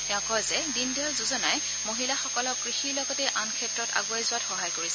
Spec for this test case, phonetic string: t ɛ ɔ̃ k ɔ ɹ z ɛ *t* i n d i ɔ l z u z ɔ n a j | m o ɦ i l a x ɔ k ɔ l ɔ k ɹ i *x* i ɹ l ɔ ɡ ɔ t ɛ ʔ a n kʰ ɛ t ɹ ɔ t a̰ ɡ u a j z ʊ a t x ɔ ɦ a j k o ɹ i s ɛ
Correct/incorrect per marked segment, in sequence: incorrect: d, correct

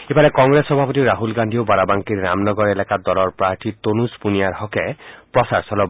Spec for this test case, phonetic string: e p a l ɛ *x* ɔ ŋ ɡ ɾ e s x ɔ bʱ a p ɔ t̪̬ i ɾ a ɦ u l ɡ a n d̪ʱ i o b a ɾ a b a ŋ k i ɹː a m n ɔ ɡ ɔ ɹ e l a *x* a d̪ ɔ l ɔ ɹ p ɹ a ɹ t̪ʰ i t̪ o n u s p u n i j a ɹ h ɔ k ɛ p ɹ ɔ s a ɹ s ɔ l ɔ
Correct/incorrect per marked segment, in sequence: incorrect: k, incorrect: k

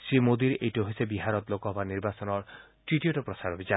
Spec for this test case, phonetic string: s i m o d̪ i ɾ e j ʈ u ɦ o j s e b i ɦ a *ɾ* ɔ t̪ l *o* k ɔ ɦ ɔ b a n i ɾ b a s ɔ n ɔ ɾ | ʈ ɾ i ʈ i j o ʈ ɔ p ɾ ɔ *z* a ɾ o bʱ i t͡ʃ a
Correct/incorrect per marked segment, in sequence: correct, correct, incorrect: s

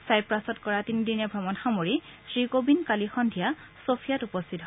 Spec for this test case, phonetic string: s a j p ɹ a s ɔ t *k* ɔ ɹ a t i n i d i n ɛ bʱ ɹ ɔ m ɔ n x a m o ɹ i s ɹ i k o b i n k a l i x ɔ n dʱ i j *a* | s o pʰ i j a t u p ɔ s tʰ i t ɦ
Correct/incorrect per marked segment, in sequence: correct, correct

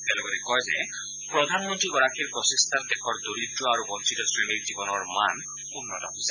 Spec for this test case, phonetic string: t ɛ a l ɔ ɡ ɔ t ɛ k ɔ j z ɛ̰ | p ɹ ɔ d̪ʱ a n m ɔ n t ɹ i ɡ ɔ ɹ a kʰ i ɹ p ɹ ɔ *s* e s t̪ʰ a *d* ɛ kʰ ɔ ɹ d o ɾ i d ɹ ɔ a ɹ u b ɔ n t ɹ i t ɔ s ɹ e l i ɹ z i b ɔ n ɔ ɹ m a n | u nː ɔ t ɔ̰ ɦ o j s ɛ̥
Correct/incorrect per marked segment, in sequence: correct, correct

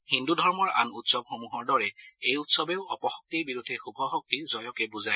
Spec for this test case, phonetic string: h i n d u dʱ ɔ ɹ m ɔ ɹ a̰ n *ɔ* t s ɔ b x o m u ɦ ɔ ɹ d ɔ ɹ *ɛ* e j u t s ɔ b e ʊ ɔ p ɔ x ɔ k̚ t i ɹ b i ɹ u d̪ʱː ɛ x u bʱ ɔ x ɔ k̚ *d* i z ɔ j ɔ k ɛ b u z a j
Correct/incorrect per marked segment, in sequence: incorrect: u, correct, incorrect: t

